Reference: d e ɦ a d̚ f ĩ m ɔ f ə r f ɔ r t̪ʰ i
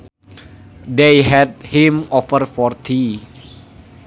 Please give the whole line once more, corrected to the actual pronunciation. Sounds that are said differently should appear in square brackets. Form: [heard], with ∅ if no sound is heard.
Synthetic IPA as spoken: d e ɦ [ɛ] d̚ [h] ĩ m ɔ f ə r f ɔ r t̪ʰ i